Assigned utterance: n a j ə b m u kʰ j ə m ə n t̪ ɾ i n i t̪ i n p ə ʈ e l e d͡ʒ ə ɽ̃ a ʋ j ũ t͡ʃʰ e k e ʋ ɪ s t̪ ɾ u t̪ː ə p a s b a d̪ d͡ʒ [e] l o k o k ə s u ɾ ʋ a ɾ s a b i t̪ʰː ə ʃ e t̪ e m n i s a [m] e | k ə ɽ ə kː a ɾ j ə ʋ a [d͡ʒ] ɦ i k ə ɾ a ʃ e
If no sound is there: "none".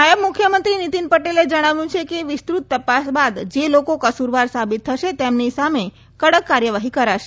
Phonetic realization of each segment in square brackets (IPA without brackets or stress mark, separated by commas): e, m, none